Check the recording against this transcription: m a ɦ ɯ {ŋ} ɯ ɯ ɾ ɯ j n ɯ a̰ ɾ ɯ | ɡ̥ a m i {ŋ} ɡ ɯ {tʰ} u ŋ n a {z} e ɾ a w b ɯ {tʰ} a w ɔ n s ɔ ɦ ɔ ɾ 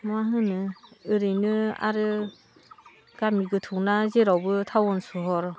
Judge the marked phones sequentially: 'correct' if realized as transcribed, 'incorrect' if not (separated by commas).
incorrect, incorrect, correct, correct, correct